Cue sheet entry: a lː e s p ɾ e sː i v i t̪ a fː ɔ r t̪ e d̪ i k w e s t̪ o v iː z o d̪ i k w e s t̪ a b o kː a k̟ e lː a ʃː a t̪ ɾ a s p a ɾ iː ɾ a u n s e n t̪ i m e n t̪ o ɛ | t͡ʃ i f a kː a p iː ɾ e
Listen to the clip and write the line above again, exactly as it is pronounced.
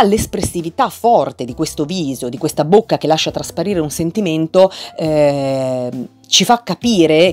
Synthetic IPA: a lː e s p ɾ e sː i v i t̪ a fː ɔ r t̪ e d̪ i k w e s t̪ o v iː z o d̪ i k w e s t̪ a b o kː a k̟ e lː a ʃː a t̪ ɾ a s p a ɾ iː ɾ e u n s e n t̪ i m e n t̪ o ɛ | t͡ʃ i f a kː a p iː ɾ e